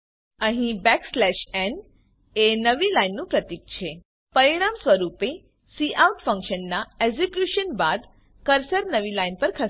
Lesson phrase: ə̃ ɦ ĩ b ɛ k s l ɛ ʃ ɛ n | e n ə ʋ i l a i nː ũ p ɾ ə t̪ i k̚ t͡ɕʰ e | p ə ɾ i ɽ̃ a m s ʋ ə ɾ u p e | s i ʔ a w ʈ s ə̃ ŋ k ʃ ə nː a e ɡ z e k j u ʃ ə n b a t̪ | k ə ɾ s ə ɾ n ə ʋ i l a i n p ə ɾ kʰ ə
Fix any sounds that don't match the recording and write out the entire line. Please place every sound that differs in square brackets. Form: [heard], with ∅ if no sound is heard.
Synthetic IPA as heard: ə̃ ɦ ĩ b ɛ k s l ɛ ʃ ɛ n | e n ə ʋ i l a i nː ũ p ɾ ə t̪ i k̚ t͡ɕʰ e | p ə ɾ i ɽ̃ a m s ʋ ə ɾ u p e | s i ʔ a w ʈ [f] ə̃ ŋ k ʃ ə nː a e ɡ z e k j u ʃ ə n b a [d̪] | k ə ɾ s ə ɾ n ə ʋ i l a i n p ə ɾ kʰ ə